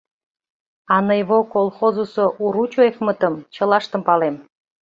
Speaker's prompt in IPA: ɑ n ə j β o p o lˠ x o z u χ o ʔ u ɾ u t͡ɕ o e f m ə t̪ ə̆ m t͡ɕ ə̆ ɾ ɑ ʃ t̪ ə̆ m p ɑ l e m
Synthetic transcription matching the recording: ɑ n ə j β o k o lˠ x o z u s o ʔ u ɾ u t͡ɕ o e f m ə t̪ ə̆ m t͡ɕ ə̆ l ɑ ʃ t̪ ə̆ m p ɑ l e m